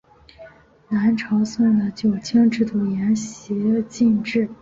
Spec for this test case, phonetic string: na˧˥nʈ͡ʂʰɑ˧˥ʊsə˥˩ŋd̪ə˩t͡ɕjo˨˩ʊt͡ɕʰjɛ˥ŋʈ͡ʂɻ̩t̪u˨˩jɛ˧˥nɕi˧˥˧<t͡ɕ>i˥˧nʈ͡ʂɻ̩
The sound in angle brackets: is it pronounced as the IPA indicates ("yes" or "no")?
yes